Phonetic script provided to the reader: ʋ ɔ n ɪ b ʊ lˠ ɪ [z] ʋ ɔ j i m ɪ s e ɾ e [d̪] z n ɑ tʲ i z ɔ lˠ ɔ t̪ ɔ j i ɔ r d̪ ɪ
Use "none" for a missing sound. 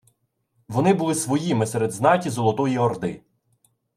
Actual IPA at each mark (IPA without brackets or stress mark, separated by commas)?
s, d̪